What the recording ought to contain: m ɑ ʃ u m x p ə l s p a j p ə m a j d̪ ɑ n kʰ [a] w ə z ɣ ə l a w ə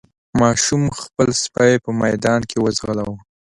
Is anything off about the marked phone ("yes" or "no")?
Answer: yes